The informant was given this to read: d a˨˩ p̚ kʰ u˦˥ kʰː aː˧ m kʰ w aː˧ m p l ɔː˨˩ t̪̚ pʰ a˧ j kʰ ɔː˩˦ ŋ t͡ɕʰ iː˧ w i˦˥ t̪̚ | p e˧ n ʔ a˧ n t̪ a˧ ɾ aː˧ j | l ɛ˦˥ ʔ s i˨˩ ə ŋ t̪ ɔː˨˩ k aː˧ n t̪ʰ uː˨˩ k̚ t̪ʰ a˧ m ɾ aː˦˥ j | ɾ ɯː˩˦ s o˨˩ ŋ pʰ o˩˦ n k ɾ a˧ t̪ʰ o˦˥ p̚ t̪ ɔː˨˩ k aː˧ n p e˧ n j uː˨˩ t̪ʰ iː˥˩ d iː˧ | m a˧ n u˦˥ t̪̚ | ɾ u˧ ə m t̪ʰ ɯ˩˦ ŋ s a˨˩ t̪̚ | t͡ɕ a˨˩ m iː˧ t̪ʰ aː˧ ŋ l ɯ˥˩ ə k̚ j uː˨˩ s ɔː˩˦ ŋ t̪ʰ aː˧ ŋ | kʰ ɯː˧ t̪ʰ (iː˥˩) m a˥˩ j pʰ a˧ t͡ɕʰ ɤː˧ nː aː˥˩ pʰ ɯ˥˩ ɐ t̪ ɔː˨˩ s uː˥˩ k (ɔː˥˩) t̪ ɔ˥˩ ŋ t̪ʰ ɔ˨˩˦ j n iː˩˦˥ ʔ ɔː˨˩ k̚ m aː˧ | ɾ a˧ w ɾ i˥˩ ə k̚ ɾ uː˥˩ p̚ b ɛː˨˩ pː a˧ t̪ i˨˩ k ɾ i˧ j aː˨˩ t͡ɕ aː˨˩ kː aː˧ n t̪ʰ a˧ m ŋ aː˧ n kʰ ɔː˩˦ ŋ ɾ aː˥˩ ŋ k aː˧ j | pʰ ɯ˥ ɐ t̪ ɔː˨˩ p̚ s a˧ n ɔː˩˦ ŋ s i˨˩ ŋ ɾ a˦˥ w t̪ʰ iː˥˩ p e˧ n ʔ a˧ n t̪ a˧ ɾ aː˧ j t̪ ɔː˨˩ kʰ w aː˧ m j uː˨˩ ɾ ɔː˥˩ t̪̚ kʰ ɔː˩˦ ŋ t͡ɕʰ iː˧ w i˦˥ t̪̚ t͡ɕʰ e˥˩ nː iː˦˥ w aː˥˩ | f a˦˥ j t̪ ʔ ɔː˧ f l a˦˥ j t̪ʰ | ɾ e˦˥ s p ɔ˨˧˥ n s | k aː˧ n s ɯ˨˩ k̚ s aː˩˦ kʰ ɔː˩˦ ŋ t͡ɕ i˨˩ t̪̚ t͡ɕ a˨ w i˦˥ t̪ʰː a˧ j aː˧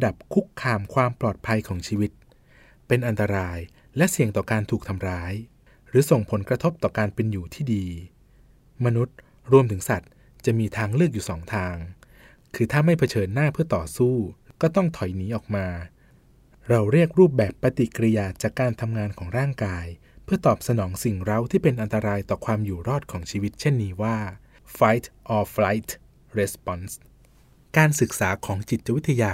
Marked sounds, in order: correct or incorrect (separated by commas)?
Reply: incorrect, correct